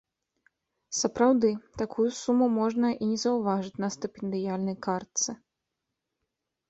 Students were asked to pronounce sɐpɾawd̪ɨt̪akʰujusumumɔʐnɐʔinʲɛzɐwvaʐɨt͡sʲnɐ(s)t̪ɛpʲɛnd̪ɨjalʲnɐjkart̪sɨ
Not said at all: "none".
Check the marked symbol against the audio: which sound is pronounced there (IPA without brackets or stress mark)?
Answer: s